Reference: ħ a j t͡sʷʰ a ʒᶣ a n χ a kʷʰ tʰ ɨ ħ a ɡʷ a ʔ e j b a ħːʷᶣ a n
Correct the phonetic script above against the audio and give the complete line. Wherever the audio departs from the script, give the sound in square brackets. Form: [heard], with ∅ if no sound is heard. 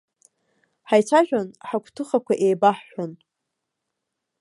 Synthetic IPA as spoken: ħ a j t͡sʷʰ a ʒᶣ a n [ħ] a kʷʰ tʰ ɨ [χ] a [kʷ] a ʔ e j b a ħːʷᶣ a n